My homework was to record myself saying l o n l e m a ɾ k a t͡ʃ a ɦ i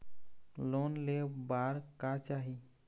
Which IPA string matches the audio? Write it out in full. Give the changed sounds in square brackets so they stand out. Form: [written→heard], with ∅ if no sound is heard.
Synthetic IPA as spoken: l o n l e [m→b] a ɾ k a t͡ʃ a ɦ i